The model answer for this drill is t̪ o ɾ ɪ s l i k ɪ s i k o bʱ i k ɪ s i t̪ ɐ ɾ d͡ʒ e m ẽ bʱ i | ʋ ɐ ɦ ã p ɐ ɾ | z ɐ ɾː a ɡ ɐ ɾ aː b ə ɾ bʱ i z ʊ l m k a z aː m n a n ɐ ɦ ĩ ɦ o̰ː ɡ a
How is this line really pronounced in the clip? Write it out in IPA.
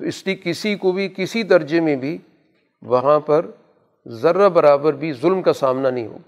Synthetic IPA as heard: t̪ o ɪ s l i k ɪ s i k o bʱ i k ɪ s i d̪ ɐ ɾ d͡ʒ e m ẽ bʱ i | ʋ ɐ ɦ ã p ɐ ɾ | z ɐ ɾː a b ɐ ɾ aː b ə ɾ bʱ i z ʊ l m k a s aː m n a n ɐ ɦ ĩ ɦ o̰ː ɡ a